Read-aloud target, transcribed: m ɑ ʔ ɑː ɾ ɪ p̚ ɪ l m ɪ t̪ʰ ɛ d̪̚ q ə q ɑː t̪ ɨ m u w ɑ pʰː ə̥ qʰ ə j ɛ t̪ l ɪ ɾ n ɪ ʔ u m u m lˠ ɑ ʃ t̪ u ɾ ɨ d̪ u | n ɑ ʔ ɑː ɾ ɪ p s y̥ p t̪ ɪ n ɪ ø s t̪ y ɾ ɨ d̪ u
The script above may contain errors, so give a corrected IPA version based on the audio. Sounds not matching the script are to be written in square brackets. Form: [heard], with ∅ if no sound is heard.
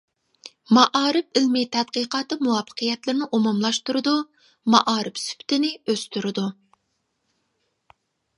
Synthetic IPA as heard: m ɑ ʔ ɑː ɾ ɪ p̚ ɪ l m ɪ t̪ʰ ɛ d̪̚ q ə q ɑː t̪ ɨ m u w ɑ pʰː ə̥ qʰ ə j ɛ t̪ l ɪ ɾ n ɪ ʔ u m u m lˠ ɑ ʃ t̪ u ɾ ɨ d̪ u | [m] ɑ ʔ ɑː ɾ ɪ p s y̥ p t̪ ɪ n ɪ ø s t̪ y ɾ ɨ d̪ u

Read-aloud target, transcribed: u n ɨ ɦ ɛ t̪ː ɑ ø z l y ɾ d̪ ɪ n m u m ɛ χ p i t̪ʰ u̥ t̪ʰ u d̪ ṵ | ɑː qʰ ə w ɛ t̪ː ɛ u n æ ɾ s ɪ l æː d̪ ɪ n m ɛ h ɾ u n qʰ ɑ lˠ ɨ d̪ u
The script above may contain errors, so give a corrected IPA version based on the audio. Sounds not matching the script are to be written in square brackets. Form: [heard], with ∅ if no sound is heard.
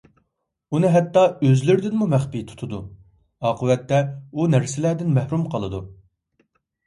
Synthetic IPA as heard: u n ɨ ɦ ɛ t̪ː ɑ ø z l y ɾ d̪ ɪ n m u m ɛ χ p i t̪ʰ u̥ t̪ʰ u d̪ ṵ | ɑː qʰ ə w ɛ t̪ː ɛ u n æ ɾ s ɪ l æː d̪ ɪ n m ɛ h ɾ u [m] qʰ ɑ lˠ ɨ d̪ u

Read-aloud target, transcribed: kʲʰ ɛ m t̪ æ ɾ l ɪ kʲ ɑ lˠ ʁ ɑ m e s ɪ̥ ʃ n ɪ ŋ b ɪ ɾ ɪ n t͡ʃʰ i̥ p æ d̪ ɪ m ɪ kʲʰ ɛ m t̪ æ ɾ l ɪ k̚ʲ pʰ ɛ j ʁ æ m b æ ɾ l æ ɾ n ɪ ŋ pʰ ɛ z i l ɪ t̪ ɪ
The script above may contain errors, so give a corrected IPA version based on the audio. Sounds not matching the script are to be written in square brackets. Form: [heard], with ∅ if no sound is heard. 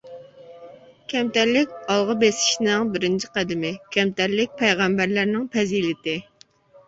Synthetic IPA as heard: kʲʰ ɛ m t̪ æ ɾ l ɪ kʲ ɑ lˠ ʁ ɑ [b] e s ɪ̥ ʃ n ɪ ŋ b ɪ ɾ ɪ n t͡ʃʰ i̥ [q] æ d̪ ɪ m ɪ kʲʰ ɛ m t̪ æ ɾ l ɪ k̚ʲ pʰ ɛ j ʁ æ m b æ ɾ l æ ɾ n ɪ ŋ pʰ ɛ z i l ɪ t̪ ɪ

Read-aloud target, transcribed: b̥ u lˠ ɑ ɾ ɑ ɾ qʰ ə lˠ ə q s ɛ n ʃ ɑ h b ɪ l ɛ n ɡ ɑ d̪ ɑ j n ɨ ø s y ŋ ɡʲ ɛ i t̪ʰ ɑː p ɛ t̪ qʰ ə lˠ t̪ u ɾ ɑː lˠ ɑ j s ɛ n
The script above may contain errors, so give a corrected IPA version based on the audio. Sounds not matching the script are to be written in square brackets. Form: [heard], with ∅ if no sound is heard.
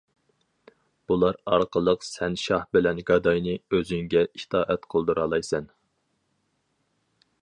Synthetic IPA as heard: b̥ u lˠ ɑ ɾ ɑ ɾ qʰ ə lˠ ə q s ɛ n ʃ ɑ h b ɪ l ɛ n ɡ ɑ d̪ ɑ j n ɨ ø [z] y ŋ ɡʲ ɛ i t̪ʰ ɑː [ʔ] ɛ t̪ qʰ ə lˠ [d̪] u ɾ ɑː lˠ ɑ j s ɛ n

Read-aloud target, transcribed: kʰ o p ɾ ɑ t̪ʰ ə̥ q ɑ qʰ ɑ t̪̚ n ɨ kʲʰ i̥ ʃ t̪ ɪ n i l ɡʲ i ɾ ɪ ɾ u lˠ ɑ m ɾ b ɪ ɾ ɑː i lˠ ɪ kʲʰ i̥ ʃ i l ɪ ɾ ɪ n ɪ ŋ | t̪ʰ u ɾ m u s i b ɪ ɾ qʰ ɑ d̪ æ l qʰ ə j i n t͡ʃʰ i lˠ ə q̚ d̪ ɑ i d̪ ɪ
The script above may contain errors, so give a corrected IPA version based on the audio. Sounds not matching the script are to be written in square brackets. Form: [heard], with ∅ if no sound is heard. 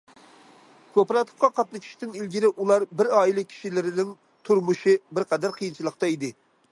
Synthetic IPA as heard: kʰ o p ɾ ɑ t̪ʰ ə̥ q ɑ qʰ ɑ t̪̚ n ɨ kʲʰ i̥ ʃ t̪ ɪ n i l ɡʲ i ɾ ɪ [∅] u lˠ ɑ [∅] ɾ b ɪ ɾ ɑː i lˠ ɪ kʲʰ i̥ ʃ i l ɪ ɾ ɪ n ɪ ŋ | t̪ʰ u ɾ m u [ʃ] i b ɪ ɾ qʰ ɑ d̪ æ [ɾ] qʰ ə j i n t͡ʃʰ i lˠ ə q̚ [t̪] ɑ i d̪ ɪ

